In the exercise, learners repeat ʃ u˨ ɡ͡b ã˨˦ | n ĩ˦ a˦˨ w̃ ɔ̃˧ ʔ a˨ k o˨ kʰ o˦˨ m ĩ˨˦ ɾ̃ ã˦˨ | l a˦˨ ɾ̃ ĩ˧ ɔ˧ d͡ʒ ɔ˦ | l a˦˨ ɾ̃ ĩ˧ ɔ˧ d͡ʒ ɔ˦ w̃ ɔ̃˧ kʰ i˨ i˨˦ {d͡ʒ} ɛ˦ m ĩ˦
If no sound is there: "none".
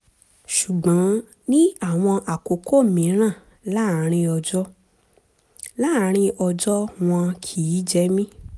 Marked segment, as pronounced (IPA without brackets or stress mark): d͡ʒ